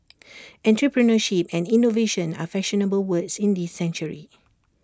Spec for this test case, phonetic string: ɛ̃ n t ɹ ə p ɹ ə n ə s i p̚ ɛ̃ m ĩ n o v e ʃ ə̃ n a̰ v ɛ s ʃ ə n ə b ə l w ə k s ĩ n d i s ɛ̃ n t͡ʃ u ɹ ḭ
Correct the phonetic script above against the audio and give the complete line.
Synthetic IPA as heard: ɛ̃ n t ɹ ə p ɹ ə n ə ʃ i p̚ ɛ̃ n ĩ n o v e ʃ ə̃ n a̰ f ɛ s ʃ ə n ə b ə l w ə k s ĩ n d i s ɛ̃ n t͡ʃ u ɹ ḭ